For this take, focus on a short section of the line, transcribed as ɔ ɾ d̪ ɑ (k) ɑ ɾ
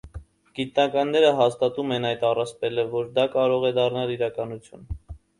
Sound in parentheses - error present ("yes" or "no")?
no